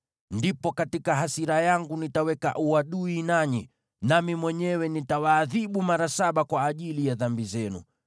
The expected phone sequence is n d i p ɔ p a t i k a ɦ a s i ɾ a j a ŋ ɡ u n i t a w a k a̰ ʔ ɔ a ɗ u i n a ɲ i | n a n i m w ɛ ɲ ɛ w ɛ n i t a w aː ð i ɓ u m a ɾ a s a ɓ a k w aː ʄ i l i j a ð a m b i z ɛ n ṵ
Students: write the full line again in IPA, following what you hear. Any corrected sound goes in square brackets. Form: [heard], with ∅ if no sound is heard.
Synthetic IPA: n d i p ɔ [k] a t i k a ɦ a s i ɾ a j a ŋ ɡ u n i t a w [ɛ] k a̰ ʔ [u] a ɗ u i n a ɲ i | n a [m] i m w ɛ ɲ ɛ w ɛ n i t a w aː ð i ɓ u m a ɾ a s a ɓ a k w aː ʄ i l i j a ð a m b i z ɛ n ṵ